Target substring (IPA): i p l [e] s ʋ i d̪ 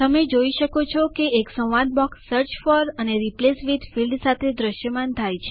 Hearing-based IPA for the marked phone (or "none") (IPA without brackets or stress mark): e